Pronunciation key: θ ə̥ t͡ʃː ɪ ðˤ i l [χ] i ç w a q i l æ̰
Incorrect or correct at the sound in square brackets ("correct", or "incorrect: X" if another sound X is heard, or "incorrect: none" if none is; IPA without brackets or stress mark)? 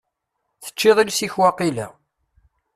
incorrect: s